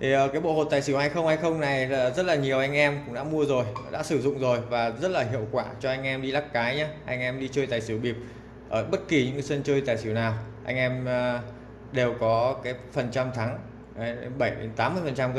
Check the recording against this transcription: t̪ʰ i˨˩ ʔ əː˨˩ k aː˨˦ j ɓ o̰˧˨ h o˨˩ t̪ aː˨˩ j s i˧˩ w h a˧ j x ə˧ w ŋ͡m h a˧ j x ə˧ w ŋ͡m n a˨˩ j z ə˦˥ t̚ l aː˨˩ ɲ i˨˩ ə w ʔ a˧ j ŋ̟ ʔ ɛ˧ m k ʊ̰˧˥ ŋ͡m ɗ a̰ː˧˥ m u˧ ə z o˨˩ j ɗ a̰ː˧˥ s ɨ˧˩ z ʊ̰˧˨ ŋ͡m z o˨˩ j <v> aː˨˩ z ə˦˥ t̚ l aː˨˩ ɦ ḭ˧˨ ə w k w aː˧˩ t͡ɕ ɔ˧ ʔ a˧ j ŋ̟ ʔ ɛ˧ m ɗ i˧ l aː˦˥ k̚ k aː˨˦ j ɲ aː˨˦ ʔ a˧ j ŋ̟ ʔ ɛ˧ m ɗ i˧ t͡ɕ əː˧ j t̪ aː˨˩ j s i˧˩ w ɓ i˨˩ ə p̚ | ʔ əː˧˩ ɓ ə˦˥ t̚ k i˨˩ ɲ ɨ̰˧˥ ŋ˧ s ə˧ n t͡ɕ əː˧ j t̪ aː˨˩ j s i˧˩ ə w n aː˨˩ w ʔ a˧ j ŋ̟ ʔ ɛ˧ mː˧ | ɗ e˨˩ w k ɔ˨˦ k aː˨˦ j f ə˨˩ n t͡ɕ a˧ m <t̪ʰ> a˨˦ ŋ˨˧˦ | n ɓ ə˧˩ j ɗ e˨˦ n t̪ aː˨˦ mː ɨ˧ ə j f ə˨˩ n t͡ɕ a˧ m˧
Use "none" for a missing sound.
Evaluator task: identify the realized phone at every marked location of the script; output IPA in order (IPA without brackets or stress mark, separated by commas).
v, t̪ʰ